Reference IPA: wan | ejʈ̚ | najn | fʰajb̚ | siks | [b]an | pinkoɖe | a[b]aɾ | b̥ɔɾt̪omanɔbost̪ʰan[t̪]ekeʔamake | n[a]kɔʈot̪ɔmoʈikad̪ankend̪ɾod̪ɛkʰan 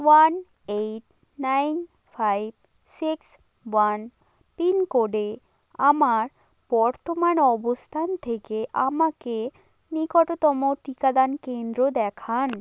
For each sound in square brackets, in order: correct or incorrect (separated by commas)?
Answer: incorrect, incorrect, incorrect, incorrect